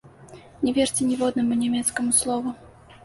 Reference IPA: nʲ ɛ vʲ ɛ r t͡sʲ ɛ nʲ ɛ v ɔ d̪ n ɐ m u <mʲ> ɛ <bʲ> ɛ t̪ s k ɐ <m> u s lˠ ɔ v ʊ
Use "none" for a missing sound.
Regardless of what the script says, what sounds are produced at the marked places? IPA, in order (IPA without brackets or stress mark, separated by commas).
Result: nʲ, mʲ, m